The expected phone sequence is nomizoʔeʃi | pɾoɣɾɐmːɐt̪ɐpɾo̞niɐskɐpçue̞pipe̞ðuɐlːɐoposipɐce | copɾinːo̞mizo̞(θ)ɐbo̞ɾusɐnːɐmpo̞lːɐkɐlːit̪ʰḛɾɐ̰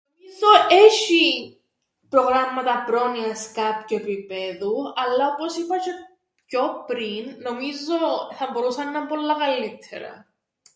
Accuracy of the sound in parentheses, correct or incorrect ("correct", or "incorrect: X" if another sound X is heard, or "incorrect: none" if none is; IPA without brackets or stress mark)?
correct